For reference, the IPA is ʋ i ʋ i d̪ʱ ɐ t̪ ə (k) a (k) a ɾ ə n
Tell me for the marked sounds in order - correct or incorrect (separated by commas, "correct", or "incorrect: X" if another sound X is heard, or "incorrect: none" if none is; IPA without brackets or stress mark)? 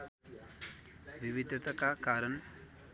correct, correct